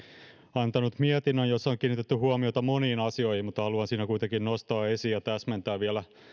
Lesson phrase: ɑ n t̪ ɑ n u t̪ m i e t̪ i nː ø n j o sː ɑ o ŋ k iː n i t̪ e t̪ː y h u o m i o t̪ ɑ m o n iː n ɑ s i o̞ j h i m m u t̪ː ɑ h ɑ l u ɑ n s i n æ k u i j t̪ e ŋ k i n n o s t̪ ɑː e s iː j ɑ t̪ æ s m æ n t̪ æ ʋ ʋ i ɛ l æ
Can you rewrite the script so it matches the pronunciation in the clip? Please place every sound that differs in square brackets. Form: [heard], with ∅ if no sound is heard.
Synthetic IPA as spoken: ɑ n t̪ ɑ n u t̪ m i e t̪ i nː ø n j o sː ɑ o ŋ k iː n i t̪ e t̪ː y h u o m i o t̪ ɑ m o n iː n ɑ s i o̞ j h i m m u t̪ː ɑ h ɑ l u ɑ n s [iː] n æ k u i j t̪ e ŋ k i n n o s t̪ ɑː e s iː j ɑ t̪ æ s m [e] n t̪ [æː] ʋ ʋ i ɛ l æ